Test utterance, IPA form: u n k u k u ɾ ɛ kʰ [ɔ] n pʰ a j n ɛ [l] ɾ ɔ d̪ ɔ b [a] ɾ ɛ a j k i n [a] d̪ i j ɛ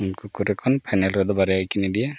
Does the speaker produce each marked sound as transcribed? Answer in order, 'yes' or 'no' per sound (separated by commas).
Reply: yes, yes, yes, no